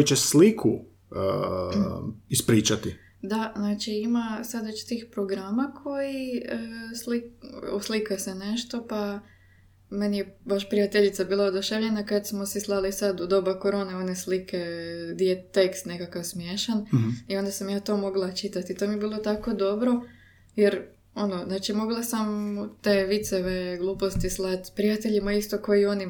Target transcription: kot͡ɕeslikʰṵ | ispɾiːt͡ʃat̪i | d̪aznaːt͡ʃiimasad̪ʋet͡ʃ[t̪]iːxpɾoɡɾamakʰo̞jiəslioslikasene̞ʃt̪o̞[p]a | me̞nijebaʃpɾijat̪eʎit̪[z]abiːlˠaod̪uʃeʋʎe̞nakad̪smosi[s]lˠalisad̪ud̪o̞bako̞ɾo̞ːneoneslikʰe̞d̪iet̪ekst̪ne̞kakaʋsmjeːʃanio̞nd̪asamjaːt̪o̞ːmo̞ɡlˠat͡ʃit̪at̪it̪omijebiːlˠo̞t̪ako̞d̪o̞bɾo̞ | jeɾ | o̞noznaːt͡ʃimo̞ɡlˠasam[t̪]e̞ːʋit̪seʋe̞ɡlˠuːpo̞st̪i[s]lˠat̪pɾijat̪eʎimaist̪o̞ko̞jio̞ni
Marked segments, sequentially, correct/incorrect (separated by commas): correct, correct, incorrect, correct, correct, correct